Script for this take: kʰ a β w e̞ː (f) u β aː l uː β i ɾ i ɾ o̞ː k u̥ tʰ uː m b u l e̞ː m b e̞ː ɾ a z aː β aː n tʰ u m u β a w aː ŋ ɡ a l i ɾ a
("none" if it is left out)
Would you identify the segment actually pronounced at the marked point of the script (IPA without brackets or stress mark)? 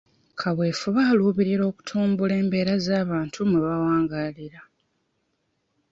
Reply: f